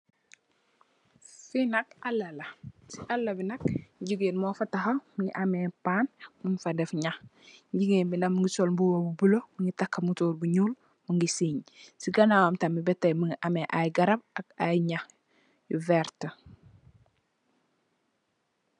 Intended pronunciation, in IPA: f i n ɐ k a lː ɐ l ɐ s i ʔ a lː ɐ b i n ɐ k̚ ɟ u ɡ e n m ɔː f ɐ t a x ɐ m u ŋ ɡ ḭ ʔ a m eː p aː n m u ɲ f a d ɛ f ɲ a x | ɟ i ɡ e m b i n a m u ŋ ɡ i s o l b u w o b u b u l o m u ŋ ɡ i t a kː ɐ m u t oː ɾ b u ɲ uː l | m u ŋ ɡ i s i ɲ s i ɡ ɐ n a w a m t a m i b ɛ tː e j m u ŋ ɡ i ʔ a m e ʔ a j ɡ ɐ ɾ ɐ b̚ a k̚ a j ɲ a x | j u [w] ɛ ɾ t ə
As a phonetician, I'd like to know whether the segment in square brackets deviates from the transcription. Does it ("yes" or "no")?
yes